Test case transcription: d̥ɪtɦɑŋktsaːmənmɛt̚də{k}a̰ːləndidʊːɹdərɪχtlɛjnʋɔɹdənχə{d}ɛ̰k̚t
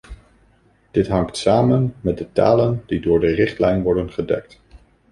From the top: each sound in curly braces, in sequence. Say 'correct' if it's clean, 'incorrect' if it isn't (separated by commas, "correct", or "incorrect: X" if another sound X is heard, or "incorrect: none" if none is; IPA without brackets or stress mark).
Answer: incorrect: t, correct